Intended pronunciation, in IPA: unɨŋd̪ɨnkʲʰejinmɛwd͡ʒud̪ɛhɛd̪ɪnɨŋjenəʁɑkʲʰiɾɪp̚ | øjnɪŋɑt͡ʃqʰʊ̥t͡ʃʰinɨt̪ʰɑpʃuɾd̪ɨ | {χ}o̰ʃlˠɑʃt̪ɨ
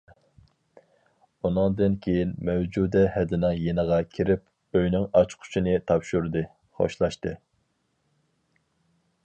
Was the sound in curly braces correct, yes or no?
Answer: yes